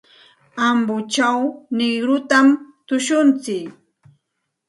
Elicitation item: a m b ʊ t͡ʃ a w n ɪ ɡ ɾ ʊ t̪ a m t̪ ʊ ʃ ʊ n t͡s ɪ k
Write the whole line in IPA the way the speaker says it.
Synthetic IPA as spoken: a m b ʊ t͡ʃ a w n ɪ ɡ ɾ ʊ t̪ a m t̪ ʊ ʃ ʊ n t͡s ɪ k